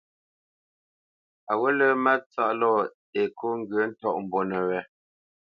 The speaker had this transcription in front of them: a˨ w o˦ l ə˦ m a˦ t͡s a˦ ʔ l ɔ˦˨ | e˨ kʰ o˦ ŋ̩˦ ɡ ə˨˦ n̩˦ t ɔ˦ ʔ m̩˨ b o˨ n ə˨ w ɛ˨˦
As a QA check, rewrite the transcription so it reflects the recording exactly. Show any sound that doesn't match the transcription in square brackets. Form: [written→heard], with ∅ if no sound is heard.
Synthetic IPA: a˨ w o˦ l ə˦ m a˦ t͡s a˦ ʔ l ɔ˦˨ | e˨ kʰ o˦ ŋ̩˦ ɡ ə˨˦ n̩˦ t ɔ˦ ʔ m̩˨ b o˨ n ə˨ w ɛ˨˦